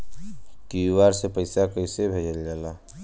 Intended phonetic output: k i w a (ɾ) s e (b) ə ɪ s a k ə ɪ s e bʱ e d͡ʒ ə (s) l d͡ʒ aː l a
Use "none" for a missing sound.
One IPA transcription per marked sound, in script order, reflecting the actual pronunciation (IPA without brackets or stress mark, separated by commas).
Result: ɾ, p, none